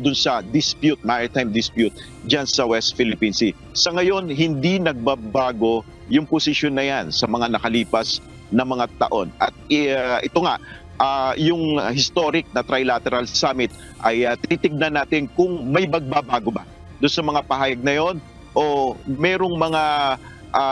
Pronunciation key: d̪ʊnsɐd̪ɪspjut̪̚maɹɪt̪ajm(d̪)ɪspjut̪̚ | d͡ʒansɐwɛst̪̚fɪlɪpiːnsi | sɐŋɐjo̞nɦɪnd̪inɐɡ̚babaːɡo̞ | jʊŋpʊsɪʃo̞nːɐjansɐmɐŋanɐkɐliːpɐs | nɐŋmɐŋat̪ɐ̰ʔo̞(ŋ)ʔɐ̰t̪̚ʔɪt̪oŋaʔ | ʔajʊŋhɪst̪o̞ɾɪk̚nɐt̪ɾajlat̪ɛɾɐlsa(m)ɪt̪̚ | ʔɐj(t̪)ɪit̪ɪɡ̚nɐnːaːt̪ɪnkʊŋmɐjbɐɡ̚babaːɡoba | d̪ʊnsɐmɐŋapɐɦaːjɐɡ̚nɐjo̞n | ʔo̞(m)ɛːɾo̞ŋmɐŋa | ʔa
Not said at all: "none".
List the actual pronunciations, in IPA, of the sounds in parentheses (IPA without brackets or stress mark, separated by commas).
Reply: d̪, n, m, t̪, m